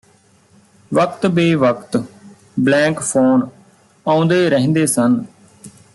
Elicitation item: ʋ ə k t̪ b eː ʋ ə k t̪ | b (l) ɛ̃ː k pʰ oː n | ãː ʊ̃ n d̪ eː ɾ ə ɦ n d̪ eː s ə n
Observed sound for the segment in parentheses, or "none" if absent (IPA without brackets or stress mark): l